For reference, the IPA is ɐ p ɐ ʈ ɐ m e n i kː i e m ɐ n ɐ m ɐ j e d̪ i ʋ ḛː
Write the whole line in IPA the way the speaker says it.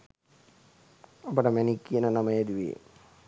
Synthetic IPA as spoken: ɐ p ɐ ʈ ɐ m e n i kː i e n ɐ n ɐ m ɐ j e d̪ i ʋ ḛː

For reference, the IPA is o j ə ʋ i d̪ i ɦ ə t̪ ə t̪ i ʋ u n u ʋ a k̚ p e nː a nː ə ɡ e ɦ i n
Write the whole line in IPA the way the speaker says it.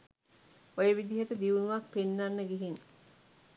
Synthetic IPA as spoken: o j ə ʋ i d̪ i ɦ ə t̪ ə d̪ i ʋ u n u ʋ a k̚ p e nː a nː ə ɡ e ɦ i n

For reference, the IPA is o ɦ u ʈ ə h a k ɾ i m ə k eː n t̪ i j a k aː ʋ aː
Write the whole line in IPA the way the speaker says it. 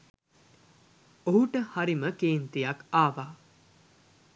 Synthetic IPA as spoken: o ɦ u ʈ ə h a ɾ i m ə k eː n t̪ i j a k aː ʋ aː

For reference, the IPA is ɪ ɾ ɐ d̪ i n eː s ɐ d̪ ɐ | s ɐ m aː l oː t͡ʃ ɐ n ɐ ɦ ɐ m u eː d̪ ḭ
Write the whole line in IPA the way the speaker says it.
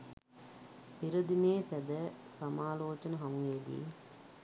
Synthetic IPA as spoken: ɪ ɾ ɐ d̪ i n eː s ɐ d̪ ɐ | s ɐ m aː l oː t͡ʃ ɐ n ɐ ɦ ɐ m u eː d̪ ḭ

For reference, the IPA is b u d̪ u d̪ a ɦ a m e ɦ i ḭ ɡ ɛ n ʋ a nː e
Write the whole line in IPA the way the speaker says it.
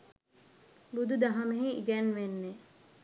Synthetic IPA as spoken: b u d̪ u d̪ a ɦ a m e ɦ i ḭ ɡ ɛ n ʋ e nː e

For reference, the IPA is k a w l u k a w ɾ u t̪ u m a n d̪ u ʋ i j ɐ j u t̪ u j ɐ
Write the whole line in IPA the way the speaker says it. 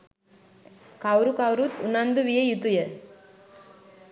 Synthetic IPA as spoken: k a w ɾ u k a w ɾ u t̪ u n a n d̪ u ʋ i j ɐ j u t̪ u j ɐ

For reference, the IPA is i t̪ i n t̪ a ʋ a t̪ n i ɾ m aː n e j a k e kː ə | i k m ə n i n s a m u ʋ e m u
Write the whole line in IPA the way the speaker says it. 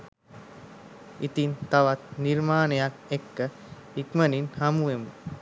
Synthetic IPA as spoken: i t̪ i n t̪ a ʋ a t̪ n i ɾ m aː n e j a k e kː ə | i k m ə n i n h a m u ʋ e m u

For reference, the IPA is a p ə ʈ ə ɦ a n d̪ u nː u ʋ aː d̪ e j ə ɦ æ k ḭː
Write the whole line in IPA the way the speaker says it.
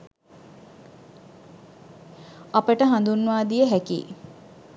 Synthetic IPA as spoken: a p ə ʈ ə ɦ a n d̪ u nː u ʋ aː d̪ i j ə ɦ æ k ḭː

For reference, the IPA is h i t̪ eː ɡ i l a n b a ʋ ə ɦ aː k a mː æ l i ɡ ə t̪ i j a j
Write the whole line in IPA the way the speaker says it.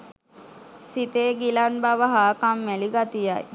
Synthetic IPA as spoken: s i t̪ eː ɡ i l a n b a ʋ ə ɦ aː k a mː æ l i ɡ a t̪ i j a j

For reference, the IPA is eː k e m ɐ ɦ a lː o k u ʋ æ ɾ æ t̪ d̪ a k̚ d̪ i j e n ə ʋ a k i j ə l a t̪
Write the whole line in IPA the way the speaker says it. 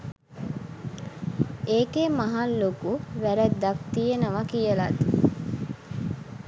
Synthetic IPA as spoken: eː k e m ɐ ɦ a lː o k u ʋ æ ɾ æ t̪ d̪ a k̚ t̪ i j e n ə ʋ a k i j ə l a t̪

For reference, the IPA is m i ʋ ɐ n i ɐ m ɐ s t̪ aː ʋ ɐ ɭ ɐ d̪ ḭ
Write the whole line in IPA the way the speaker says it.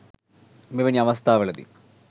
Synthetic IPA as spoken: m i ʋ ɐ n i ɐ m ɐ s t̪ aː ʋ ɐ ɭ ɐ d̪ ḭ

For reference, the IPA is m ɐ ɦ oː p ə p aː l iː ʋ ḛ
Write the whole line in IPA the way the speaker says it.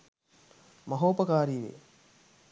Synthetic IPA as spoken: m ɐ ɦ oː p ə k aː ɾ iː ʋ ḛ

